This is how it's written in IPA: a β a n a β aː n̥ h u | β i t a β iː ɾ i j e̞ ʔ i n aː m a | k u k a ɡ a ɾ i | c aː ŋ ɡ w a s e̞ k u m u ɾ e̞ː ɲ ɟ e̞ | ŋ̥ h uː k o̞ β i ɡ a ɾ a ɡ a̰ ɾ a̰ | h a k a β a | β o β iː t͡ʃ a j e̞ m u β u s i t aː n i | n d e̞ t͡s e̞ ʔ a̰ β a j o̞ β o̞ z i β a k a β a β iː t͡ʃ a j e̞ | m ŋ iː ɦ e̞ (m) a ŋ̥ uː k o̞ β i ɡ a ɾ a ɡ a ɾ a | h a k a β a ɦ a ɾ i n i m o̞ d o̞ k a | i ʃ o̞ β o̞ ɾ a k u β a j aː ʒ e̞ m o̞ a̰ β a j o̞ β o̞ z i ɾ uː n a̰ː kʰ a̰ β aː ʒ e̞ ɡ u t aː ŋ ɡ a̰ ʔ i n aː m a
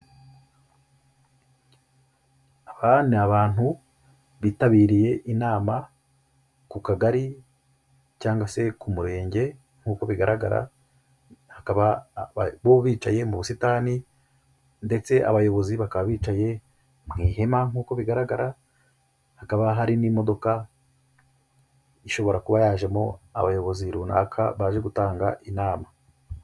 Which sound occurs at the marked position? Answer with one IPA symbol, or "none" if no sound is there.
m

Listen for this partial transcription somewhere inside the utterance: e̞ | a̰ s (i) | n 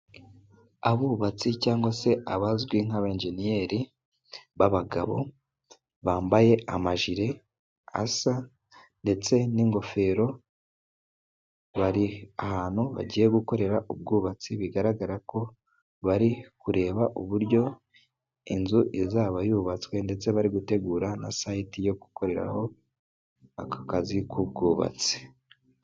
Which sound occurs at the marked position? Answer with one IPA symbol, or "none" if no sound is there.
a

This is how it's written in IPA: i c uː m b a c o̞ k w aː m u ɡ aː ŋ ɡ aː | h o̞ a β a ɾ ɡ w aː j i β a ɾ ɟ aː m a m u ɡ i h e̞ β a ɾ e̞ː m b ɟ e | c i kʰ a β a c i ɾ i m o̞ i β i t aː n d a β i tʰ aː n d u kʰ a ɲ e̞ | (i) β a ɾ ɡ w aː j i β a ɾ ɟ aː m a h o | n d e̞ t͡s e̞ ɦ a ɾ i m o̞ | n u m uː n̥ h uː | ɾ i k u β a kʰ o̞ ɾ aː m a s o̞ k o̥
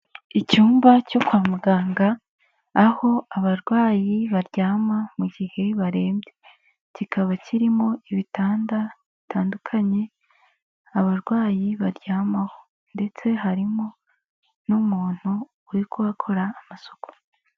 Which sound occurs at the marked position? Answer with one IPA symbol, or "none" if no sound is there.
a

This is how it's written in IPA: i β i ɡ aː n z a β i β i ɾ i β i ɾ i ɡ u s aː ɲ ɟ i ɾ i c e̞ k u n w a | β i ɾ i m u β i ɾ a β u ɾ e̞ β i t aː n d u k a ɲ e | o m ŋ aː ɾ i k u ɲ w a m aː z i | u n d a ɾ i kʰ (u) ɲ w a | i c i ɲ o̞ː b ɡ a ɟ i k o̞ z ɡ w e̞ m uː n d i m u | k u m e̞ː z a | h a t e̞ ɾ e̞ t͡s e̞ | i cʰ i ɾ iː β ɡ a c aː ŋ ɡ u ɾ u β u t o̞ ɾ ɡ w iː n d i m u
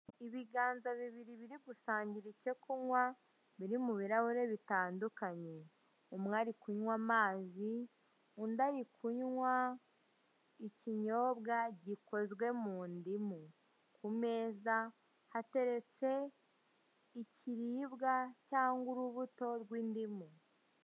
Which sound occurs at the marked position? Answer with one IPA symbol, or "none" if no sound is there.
u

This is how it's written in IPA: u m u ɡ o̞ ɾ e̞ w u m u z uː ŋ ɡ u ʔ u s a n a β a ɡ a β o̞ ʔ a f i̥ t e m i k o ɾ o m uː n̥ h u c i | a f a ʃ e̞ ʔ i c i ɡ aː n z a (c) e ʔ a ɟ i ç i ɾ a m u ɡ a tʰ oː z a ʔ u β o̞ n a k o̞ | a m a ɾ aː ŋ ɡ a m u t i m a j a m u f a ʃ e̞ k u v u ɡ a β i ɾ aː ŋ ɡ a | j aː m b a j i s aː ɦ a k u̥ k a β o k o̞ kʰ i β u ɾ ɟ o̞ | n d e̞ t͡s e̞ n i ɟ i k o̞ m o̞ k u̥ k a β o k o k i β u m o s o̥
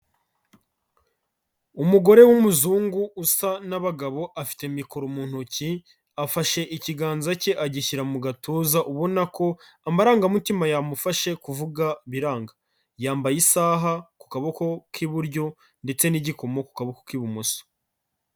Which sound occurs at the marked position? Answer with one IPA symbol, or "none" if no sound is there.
c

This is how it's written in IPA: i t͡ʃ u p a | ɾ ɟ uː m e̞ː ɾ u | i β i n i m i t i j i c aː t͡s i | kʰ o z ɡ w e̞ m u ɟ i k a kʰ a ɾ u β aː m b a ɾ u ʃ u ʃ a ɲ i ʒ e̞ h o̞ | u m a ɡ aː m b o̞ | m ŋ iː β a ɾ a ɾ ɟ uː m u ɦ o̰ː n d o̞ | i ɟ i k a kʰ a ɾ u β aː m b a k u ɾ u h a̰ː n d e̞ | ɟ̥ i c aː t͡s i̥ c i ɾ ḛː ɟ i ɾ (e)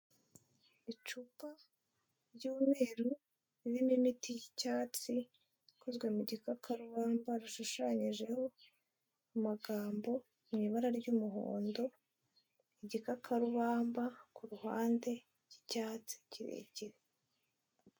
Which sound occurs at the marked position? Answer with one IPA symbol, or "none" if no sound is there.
e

